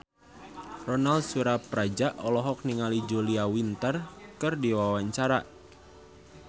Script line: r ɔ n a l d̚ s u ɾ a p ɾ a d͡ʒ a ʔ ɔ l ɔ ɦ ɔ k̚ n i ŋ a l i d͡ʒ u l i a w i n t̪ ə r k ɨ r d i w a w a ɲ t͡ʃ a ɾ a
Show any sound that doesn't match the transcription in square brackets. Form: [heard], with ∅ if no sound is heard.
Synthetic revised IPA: r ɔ n a l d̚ s u ɾ a p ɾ a d͡ʒ a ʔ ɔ l ɔ ɦ ɔ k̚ n i ŋ a l i d͡ʒ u l i a w i n t̪ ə r k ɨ r d i w a w a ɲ t͡ʃ a ɾ a